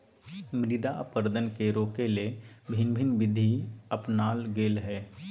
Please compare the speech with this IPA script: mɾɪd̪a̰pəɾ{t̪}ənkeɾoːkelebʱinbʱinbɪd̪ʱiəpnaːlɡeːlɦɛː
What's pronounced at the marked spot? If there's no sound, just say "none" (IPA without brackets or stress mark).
d̪